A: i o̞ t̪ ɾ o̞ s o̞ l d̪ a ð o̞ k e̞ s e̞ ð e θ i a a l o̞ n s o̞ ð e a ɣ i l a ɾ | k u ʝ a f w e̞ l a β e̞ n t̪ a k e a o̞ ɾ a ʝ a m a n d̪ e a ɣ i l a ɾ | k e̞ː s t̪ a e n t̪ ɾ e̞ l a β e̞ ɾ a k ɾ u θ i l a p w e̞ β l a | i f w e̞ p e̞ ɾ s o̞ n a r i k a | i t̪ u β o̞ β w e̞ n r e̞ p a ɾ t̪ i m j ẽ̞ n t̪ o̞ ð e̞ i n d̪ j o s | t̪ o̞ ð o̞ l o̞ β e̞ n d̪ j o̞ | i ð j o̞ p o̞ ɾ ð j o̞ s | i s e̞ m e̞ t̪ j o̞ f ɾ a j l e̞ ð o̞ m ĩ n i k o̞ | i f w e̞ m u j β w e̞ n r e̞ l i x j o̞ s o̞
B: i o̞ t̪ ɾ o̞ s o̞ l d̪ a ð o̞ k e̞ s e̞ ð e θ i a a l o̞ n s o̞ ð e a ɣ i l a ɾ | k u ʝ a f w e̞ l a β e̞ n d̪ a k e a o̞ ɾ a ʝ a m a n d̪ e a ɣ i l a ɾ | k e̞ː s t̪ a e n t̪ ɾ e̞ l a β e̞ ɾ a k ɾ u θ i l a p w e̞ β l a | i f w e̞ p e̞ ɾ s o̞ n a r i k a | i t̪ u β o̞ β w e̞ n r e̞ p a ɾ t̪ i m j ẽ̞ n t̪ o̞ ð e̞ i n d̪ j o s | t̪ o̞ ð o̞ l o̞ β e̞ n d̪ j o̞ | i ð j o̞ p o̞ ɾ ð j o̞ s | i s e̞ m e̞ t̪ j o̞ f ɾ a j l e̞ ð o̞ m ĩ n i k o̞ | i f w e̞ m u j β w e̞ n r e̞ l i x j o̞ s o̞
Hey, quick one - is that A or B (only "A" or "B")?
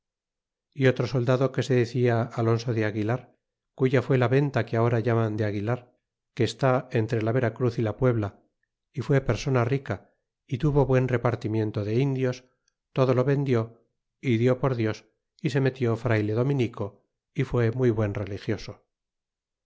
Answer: A